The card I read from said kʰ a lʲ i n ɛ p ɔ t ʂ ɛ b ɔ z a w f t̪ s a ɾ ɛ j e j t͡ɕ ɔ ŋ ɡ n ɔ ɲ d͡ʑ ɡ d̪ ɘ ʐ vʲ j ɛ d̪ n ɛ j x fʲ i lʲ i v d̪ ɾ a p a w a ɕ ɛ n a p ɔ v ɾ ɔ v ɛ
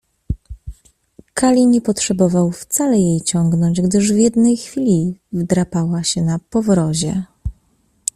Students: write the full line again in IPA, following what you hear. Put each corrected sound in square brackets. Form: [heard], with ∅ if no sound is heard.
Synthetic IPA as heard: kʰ a lʲ i [ɲ] ɛ p ɔ t ʂ ɛ b ɔ [v] a w f t̪ s a [l] ɛ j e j t͡ɕ ɔ ŋ ɡ n ɔ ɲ d͡ʑ ɡ d̪ ɘ ʐ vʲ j ɛ d̪ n ɛ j x fʲ i lʲ i v d̪ ɾ a p a w a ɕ ɛ n a p ɔ v ɾ ɔ [ʑ] ɛ